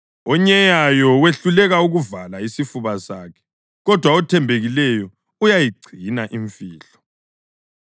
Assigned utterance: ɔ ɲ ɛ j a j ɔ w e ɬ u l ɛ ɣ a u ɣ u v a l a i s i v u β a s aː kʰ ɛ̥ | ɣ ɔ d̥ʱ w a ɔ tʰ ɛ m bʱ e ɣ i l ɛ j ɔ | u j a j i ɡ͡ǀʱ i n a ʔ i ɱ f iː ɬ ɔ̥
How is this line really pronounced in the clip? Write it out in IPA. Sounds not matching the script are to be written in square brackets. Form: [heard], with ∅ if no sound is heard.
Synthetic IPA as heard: ɔ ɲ ɛ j a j ɔ w e ɬ u l ɛ ɣ a u ɣ u v a l a i s i [f] u β a s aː kʰ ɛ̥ | ɣ ɔ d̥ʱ w a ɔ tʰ ɛ m bʱ e ɣ i l ɛ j ɔ | u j a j i ɡ͡ǀʱ i n a ʔ i ɱ f iː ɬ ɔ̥